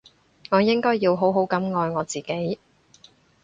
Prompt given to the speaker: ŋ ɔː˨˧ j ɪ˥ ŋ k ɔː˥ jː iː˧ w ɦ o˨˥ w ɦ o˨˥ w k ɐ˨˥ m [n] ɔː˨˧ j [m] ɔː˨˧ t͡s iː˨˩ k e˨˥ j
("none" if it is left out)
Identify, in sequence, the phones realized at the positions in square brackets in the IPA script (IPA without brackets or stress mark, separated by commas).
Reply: ŋ, ŋ